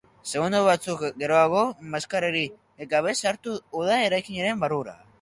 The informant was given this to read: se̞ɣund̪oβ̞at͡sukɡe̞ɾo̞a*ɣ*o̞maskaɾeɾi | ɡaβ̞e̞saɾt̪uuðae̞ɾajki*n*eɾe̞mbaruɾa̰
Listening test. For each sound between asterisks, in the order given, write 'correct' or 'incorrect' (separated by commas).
correct, incorrect